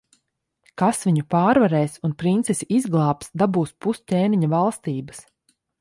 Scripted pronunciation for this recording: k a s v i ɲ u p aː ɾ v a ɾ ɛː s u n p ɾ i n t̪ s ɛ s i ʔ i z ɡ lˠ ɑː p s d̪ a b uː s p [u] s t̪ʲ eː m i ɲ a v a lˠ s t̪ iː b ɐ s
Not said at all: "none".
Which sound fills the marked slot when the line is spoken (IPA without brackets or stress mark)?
u